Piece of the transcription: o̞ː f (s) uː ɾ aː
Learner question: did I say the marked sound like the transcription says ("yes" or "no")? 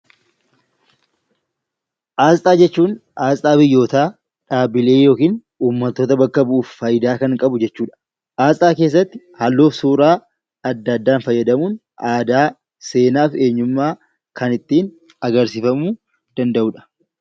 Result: yes